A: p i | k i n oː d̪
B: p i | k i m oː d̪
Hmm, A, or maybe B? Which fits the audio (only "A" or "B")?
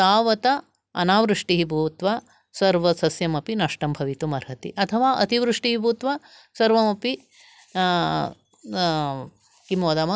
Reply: B